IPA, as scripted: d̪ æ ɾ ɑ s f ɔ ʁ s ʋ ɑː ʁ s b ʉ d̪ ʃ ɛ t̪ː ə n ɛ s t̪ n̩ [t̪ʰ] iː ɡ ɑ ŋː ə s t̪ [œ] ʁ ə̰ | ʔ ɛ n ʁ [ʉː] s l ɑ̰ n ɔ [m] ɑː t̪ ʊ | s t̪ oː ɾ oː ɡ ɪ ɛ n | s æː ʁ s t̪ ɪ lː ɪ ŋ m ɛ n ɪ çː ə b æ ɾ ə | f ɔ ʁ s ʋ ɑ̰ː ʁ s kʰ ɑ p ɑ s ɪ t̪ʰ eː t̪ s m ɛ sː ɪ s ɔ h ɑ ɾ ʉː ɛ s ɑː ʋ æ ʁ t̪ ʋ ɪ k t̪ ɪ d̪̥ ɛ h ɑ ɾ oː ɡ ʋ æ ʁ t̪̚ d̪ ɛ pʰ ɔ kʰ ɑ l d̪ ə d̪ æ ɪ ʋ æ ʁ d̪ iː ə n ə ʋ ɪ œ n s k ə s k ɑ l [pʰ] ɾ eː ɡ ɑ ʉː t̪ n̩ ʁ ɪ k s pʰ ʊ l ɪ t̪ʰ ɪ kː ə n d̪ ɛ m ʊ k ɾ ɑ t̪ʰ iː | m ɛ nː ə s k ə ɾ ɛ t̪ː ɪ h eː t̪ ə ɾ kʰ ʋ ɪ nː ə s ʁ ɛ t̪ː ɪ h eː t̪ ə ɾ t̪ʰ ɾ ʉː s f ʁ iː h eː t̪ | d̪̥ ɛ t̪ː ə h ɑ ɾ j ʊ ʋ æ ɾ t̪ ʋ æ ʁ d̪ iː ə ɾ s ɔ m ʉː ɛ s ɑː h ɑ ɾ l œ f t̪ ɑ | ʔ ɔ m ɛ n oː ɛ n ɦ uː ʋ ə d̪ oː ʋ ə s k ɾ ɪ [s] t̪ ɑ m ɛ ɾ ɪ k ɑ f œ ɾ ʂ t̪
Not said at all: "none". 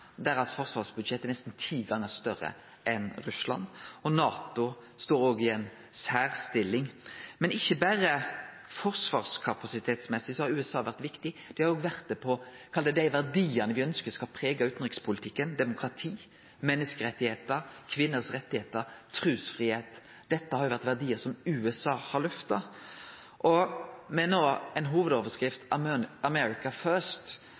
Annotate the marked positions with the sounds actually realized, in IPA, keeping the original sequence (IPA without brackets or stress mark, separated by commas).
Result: t̪ʰ, œ, ʉ, n, pʰ, f